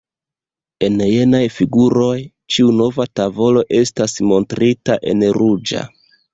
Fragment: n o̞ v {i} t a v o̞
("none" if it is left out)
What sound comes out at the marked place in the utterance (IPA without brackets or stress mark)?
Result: a